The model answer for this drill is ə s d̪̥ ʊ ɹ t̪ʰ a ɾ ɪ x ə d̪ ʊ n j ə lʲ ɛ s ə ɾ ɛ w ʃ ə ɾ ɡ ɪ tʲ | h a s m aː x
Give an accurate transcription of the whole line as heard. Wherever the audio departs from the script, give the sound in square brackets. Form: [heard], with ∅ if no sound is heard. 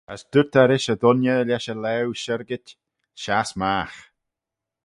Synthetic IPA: ə s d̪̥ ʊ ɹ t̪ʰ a ɾ ɪ [ʃ] ə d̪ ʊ n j ə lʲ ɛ [ʃ] ə [l] ɛ w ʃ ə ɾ ɡ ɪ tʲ | [ʃ] a s m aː x